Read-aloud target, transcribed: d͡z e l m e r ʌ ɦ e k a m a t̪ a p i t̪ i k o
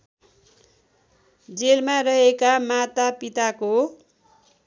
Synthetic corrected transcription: d͡z e l m a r ʌ ɦ e k a m a t̪ a p i t̪ a k o